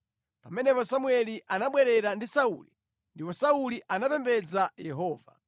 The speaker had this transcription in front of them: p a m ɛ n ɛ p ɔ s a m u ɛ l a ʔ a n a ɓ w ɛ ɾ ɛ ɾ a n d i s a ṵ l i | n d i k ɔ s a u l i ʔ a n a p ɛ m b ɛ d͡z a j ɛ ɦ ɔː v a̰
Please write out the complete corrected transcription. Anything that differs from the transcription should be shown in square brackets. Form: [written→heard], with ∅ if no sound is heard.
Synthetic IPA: p a m ɛ n ɛ p ɔ s a m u ɛ l [a→i] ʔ a n a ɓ w ɛ ɾ ɛ ɾ a n d i s a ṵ l i | n d i [k→p] ɔ s a u l i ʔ a n a p ɛ m b ɛ d͡z a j ɛ ɦ ɔː v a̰